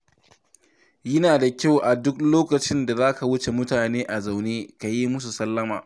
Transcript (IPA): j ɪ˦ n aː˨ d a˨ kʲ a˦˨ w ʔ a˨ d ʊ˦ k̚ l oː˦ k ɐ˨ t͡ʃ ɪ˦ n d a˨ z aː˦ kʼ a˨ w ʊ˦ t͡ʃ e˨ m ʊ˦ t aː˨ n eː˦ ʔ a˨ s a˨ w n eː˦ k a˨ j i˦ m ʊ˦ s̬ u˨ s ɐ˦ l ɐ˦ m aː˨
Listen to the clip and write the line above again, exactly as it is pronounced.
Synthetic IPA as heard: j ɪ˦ n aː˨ d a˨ kʲ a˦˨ w ʔ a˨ d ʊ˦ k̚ l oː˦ k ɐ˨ t͡ʃ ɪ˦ n d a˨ z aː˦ k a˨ w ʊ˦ t͡ʃ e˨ m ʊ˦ t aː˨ n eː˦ ʔ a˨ z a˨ w n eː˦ k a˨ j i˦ m ʊ˦ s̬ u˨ s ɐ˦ lː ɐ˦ m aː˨